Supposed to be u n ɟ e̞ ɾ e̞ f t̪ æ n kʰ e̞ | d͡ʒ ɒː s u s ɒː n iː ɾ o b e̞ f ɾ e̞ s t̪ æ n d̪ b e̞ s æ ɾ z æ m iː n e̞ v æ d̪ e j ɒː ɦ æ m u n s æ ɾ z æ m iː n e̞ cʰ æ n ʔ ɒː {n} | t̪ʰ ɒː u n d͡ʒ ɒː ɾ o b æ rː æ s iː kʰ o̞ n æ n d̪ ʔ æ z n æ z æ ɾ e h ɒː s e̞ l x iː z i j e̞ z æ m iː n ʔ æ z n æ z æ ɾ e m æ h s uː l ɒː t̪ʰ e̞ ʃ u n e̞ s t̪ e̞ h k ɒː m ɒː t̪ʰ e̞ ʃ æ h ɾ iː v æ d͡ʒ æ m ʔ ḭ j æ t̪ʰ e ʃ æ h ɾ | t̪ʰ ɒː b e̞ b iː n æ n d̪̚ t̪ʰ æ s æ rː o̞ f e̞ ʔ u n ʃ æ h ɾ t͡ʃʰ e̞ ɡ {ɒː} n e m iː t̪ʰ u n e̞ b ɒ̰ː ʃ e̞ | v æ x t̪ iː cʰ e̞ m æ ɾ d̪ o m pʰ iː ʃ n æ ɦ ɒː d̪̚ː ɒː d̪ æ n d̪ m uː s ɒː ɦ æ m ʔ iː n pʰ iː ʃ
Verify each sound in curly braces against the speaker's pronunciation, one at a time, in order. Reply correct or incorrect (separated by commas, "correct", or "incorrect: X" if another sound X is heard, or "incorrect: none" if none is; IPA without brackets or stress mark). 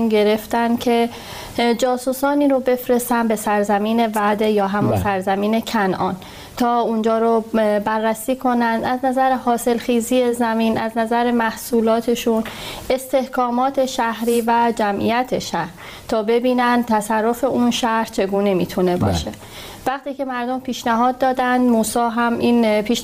correct, incorrect: uː